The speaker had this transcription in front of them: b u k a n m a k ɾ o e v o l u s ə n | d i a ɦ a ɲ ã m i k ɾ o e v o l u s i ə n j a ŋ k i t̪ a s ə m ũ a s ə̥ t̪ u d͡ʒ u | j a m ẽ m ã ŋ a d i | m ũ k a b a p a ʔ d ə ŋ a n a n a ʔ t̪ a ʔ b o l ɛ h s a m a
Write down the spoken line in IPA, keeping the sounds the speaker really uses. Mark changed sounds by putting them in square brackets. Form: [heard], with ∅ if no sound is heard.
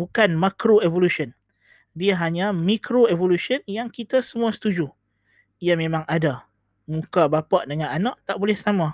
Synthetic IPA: b u k a n m a k ɾ o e v o l u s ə n | d i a ɦ a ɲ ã m i k ɾ o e v o l u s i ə n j a ŋ k i t̪ a s ə m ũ a s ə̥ t̪ u d͡ʒ u | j a m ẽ m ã ŋ a d [a] | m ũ k a b a p a ʔ d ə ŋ a n a n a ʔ t̪ a ʔ b o l ɛ h s a m a